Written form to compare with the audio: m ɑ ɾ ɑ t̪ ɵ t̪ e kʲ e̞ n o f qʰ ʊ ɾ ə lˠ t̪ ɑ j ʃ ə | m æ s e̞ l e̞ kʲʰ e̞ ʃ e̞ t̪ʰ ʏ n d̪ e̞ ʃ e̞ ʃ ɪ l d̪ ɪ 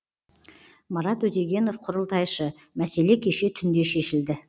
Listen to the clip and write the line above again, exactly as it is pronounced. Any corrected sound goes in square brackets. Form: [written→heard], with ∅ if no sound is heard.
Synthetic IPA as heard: m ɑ ɾ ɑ t̪ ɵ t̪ e [kʲ→ɡʲ] e̞ n o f qʰ ʊ ɾ ə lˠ t̪ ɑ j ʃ ə | m æ s e̞ l e̞ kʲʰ e̞ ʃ e̞ t̪ʰ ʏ n d̪ e̞ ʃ e̞ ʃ ɪ l d̪ ɪ